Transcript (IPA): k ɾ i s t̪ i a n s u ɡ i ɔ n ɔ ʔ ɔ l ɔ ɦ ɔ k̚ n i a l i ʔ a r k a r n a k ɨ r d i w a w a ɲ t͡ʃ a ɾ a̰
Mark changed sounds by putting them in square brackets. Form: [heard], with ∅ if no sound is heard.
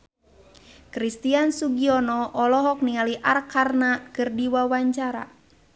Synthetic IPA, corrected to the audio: k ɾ i s t̪ i a n s u ɡ i ɔ n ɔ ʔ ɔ l ɔ ɦ ɔ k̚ n i a l i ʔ a r k a r n a k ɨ r d i w a w a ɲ t͡ʃ a ɾ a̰